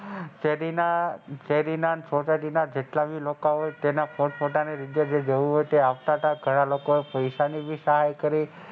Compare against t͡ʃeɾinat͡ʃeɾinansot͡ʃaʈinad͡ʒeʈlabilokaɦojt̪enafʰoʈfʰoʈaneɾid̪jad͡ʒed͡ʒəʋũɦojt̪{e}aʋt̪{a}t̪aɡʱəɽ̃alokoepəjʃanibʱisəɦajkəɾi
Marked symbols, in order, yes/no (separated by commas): yes, yes